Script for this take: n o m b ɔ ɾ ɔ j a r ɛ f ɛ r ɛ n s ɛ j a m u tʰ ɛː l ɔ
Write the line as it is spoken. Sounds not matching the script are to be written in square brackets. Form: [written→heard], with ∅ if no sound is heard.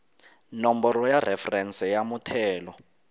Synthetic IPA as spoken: n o m b ɔ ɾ ɔ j a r ɛ f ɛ r ɛ n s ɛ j a m u tʰ ɛː l ɔ